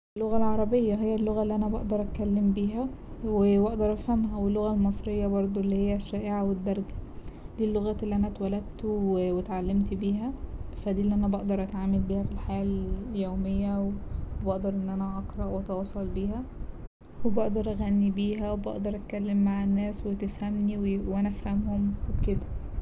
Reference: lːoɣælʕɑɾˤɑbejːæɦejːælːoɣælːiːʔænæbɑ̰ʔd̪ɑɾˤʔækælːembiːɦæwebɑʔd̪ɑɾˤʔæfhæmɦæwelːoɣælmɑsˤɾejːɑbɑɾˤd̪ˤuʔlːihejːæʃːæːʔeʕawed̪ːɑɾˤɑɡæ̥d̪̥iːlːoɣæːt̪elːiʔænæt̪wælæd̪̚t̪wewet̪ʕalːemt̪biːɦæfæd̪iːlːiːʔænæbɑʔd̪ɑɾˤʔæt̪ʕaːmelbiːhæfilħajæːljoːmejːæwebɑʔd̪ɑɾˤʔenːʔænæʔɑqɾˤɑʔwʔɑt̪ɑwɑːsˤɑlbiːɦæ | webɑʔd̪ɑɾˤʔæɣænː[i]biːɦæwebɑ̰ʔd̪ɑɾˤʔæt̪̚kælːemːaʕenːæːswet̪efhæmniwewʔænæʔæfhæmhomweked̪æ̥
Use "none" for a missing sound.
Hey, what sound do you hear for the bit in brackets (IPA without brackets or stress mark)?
i